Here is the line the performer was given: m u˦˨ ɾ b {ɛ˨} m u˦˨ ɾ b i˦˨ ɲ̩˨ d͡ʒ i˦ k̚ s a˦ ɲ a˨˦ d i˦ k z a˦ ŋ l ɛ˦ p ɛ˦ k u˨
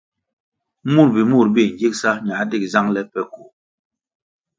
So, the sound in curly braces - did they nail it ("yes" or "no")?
no